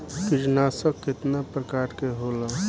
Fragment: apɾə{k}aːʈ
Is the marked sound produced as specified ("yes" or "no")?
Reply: yes